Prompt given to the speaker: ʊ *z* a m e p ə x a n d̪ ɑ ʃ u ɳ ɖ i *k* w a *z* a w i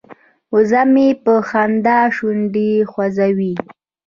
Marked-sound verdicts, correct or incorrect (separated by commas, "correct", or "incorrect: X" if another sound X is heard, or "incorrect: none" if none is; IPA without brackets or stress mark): correct, incorrect: x, correct